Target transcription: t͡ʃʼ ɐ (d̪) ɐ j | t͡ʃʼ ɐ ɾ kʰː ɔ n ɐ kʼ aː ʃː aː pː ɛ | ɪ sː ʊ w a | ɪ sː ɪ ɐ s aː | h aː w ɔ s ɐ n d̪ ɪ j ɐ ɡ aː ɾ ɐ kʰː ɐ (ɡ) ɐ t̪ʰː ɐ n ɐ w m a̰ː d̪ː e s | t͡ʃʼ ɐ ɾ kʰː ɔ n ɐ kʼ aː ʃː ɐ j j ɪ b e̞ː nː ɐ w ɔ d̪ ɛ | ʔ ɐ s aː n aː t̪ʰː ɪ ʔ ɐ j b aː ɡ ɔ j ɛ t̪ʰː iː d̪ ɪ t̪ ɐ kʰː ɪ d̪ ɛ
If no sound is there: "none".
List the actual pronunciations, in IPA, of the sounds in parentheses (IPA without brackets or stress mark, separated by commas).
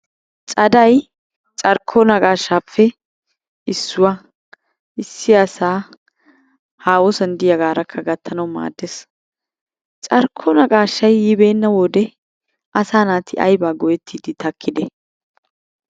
d̪, ɡ